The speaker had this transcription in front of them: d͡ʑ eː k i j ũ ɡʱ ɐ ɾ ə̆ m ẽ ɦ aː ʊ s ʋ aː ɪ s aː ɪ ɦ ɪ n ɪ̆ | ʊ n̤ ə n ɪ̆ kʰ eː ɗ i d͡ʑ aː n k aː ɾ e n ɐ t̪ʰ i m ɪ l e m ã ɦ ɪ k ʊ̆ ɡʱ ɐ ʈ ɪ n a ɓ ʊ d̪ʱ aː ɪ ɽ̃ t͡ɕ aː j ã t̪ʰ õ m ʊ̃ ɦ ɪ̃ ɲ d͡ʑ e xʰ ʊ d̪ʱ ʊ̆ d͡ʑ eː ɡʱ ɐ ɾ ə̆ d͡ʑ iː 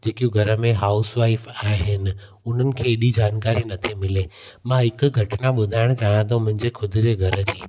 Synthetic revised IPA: d͡ʑ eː k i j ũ ɡʱ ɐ ɾ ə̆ m ẽ ɦ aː ʊ s ʋ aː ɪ f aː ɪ ɦ ɪ n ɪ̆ | ʊ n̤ ə n ɪ̆ kʰ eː ɗ i d͡ʑ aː n k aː ɾ i n ɐ t̪ʰ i m ɪ l e m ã ɦ ɪ k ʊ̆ ɡʱ ɐ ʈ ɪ n a ɓ ʊ d̪ʱ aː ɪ ɽ̃ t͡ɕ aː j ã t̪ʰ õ m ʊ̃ ɦ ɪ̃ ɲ d͡ʑ e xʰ ʊ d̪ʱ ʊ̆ d͡ʑ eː ɡʱ ɐ ɾ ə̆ d͡ʑ iː